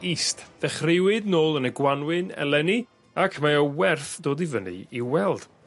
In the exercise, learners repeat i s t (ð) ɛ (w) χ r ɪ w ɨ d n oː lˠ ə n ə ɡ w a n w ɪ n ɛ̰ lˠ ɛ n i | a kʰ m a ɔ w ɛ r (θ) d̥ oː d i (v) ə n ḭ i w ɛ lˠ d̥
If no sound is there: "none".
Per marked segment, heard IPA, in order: ð, none, θ, v

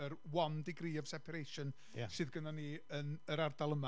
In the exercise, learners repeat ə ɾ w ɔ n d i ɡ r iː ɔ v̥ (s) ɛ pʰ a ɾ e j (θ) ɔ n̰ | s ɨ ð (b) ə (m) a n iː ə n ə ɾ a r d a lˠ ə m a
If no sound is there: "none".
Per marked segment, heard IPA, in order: s, ʃ, ɡ, n

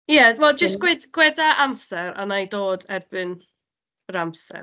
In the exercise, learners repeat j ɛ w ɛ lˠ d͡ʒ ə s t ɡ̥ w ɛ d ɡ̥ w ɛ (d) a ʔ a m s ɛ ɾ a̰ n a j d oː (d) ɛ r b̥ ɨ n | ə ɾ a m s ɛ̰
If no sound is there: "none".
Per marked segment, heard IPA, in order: d, d

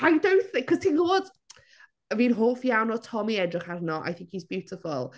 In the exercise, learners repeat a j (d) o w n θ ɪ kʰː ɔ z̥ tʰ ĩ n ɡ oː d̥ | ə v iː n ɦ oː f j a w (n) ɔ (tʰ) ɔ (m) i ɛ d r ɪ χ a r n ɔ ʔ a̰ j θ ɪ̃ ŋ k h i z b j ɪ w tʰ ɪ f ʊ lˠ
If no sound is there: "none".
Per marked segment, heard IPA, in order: d, n, tʰ, m

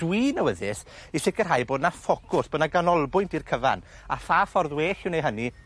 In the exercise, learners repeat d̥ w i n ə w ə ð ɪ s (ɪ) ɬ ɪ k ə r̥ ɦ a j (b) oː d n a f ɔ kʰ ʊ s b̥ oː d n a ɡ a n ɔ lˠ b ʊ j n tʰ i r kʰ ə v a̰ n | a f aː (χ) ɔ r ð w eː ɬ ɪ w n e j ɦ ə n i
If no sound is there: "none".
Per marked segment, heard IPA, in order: i, b, f

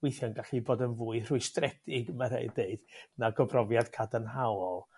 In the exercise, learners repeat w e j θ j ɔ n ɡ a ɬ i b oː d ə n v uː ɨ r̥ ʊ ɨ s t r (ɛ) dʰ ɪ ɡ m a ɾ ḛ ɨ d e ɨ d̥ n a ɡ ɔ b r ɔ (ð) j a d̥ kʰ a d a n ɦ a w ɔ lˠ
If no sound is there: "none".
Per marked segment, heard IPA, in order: ɛ, v

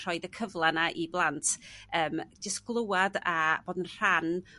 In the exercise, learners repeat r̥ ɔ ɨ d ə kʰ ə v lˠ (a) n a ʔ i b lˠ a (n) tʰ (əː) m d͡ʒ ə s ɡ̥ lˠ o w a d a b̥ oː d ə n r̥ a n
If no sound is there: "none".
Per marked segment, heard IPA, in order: a, n, əː

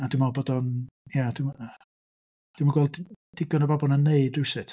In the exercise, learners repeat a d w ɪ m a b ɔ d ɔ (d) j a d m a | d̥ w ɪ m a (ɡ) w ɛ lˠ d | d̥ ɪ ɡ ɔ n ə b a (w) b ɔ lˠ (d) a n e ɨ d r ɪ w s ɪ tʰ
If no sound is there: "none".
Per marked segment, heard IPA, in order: n, ɡ, none, n

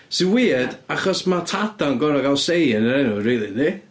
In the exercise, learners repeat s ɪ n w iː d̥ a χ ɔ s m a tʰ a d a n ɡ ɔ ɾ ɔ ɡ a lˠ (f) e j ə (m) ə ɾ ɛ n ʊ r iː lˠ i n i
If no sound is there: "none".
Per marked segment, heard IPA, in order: s, n

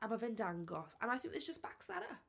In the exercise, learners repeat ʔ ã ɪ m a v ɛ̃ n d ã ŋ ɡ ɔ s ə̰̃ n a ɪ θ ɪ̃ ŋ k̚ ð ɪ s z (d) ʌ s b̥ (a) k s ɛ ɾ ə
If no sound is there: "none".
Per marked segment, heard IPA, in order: d͡ʒ, a

